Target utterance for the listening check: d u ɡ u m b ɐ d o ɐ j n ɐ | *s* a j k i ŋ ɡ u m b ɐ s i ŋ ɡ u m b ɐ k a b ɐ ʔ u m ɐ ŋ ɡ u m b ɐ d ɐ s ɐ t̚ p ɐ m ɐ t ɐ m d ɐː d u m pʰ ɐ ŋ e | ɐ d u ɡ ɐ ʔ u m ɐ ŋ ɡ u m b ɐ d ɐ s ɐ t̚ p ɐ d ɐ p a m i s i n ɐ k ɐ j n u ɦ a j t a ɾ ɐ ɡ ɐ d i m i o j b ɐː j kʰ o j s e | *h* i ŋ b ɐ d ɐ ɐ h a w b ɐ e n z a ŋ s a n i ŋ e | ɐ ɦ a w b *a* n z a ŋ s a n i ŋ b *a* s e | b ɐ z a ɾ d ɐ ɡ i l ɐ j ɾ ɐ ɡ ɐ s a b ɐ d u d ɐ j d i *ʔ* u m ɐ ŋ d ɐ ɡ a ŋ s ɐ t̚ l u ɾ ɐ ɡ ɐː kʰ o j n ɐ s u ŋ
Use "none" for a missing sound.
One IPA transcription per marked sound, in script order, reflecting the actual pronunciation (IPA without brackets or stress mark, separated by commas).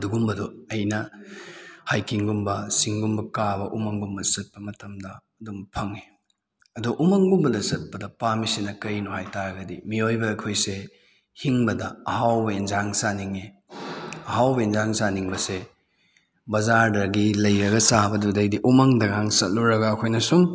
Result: h, h, e, ɐ, ʔ